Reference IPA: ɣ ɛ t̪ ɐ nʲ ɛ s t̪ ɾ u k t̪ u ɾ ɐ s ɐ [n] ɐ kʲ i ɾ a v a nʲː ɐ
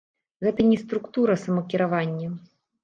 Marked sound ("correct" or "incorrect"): incorrect